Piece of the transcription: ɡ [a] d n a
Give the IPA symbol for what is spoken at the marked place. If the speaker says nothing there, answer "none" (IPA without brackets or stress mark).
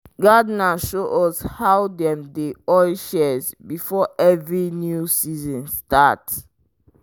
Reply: a